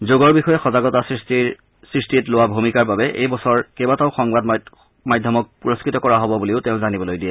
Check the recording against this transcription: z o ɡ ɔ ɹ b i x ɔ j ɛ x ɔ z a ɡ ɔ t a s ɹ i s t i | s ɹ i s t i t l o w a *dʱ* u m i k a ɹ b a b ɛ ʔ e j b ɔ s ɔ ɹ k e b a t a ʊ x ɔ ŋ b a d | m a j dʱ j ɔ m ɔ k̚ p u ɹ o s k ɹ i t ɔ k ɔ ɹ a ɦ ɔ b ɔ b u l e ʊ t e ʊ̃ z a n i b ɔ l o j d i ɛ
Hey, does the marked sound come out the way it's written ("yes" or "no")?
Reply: no